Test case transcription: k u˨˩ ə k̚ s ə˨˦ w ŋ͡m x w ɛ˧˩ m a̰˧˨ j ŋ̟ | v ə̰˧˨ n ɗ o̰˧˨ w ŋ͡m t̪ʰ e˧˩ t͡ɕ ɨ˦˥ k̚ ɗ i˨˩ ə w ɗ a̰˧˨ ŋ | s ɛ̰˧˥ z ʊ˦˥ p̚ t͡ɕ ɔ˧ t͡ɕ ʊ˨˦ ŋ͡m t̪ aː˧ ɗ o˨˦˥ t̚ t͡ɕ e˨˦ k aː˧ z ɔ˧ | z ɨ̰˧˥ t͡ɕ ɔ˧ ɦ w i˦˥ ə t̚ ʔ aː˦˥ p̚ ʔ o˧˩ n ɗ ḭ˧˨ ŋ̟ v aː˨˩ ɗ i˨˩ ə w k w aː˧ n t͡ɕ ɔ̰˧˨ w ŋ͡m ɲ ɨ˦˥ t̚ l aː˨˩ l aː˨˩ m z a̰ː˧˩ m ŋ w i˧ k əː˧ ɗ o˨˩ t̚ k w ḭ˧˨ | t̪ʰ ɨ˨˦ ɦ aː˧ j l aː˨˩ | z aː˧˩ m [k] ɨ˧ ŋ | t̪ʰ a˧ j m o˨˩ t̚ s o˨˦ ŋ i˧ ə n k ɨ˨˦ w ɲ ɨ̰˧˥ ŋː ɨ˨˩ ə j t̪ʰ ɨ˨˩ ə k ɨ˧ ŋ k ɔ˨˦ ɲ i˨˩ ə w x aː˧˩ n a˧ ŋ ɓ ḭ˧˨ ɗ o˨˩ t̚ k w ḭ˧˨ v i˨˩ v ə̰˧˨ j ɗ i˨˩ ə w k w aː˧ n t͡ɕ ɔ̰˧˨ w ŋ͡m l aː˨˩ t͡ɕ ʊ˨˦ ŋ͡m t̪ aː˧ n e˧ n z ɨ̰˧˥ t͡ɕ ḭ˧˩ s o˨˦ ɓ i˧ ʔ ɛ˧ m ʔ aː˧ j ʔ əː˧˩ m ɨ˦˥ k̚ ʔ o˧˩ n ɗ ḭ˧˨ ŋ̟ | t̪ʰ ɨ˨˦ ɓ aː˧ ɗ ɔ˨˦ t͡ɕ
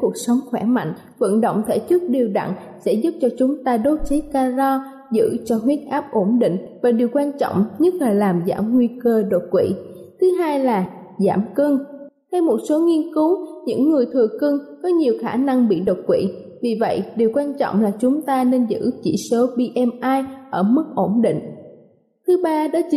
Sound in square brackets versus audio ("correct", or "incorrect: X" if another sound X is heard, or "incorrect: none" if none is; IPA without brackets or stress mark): correct